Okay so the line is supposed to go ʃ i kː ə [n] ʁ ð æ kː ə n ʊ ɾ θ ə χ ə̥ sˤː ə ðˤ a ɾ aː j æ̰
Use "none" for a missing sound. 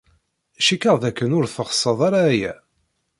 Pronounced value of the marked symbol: none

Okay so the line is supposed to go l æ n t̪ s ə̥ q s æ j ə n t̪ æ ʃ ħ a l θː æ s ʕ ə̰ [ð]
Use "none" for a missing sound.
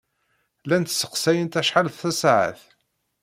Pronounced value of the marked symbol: θ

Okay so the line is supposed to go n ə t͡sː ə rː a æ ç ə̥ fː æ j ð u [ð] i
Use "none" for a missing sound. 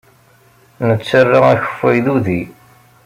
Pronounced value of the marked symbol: ð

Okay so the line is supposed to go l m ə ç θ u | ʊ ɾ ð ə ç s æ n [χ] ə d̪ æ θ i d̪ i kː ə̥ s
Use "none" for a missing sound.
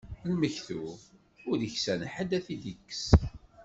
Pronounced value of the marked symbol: ħ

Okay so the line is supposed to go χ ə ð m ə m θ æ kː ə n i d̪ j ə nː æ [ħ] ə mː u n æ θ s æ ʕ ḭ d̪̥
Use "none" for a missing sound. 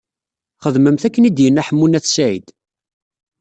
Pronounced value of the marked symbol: ħ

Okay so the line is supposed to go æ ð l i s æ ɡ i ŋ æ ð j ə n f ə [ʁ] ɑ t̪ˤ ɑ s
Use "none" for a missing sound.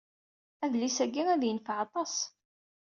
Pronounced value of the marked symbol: ʕ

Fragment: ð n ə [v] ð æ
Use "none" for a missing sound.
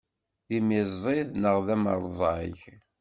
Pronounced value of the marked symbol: ʁ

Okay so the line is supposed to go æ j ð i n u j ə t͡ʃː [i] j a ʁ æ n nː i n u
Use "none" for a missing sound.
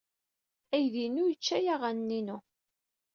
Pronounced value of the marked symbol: æ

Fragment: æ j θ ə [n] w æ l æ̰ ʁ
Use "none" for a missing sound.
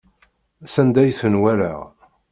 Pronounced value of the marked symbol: n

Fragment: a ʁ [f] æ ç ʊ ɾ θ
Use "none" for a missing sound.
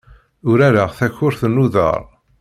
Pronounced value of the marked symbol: θ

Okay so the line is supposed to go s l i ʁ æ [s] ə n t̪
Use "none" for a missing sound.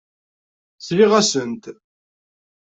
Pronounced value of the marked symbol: s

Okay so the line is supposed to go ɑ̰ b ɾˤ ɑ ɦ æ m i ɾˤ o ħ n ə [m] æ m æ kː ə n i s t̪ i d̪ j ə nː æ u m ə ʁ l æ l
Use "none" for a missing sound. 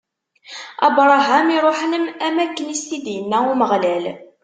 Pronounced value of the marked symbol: m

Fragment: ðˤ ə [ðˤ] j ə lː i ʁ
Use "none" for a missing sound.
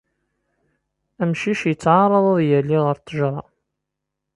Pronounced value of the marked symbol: ðˤ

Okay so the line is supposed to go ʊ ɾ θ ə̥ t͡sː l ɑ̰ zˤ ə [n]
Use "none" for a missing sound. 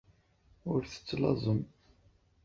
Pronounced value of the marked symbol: m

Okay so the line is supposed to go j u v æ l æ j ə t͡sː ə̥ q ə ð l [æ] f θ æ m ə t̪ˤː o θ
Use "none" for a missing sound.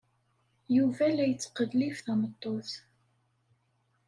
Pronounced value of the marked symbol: i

